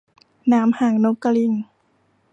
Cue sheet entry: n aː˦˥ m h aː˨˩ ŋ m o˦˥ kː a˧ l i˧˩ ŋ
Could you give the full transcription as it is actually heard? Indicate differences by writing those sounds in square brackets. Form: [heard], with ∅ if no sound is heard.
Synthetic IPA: n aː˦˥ m h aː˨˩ ŋ [n] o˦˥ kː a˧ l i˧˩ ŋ